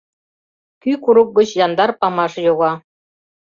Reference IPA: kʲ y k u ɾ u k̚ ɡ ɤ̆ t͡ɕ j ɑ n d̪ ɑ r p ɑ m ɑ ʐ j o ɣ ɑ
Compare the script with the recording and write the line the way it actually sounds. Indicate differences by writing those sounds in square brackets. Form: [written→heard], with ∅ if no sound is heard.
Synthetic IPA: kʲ y k u ɾ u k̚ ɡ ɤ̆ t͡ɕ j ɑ n d̪ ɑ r p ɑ m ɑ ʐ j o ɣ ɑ

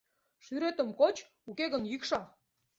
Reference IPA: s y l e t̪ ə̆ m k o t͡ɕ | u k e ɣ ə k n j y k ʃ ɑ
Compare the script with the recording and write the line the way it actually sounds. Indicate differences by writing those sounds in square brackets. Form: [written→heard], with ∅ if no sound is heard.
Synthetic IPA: [s→ʃ] y [l→ɾ] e t̪ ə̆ m k o t͡ɕ | u k e ɣ ə [k→∅] n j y k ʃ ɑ

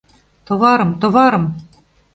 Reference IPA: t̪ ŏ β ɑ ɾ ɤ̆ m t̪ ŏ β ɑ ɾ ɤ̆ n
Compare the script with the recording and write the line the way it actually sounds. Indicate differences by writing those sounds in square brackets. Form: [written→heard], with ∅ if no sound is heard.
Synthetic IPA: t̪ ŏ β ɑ ɾ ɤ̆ m t̪ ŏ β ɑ ɾ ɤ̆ [n→m]

